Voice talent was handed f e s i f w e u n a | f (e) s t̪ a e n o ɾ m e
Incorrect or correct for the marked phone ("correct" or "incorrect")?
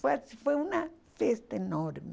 correct